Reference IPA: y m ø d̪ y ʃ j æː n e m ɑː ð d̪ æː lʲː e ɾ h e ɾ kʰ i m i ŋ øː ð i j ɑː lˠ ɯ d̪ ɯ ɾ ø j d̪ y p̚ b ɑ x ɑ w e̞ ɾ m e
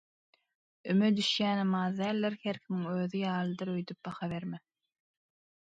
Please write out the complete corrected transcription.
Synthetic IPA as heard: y m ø d̪ y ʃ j æː n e m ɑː ð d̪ æː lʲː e ɾ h e ɾ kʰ i m i ŋ øː ð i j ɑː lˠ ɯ d̪ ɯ ɾ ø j d̪ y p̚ b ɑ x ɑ β e̞ ɾ m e